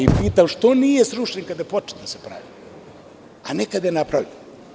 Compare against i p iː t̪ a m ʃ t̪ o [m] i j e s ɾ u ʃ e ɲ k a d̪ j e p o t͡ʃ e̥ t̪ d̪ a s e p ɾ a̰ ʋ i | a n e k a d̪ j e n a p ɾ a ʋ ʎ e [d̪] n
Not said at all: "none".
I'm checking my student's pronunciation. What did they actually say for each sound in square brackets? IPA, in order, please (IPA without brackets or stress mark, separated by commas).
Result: n, none